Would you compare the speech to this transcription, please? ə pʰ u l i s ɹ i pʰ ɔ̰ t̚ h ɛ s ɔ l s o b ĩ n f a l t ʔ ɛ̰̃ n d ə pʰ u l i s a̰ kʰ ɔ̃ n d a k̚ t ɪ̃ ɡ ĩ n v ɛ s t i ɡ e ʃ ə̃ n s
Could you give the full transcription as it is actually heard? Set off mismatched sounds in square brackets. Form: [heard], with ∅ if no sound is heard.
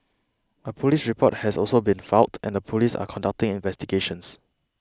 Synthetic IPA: ə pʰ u l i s ɹ i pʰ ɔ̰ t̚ h ɛ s ɔ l s o b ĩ n f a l t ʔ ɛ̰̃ n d ə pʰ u l i s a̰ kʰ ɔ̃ n d a k̚ t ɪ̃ [ŋ] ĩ n v ɛ s t i ɡ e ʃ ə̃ n s